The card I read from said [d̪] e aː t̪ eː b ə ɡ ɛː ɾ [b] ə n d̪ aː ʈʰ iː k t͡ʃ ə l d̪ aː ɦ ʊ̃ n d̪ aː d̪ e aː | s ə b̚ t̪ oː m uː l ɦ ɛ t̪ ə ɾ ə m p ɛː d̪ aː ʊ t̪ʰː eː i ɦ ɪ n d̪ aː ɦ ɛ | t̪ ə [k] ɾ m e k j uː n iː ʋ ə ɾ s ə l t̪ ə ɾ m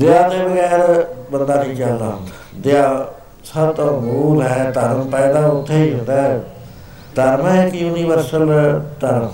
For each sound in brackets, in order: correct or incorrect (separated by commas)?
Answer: correct, correct, incorrect